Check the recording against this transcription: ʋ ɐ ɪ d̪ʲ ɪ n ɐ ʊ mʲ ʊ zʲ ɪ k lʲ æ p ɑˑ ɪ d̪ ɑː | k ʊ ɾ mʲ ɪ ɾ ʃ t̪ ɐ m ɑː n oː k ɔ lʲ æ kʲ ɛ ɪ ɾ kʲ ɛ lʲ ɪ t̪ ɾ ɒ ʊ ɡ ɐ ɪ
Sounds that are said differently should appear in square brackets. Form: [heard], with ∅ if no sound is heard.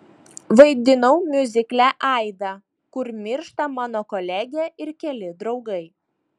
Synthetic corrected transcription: ʋ ɐ ɪ d̪ʲ ɪ n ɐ ʊ mʲ ʊ zʲ ɪ k lʲ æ [ʔ] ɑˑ ɪ d̪ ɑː | k ʊ ɾ mʲ ɪ ɾ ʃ t̪ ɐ m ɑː n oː k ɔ lʲ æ [ɡʲ] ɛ ɪ ɾ kʲ ɛ lʲ ɪ [d̪] ɾ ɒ ʊ ɡ ɐ ɪ